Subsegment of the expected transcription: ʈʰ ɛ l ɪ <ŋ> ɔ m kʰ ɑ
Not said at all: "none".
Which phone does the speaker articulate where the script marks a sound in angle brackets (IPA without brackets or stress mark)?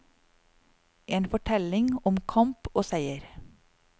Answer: ŋ